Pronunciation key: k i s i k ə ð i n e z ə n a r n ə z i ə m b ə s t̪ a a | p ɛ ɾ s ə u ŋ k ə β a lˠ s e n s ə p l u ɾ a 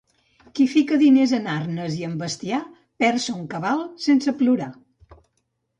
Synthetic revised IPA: k i f i k ə ð i n e z ə n a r n ə z i ə m b ə s t̪ i a | p ɛ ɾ s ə u ŋ k ə β a lˠ s e n s ə p l u ɾ a